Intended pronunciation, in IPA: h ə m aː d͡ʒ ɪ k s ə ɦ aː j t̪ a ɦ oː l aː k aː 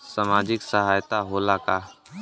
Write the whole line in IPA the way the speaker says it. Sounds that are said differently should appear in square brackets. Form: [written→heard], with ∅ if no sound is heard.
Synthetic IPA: [h→s] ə m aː d͡ʒ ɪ k s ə ɦ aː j t̪ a ɦ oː l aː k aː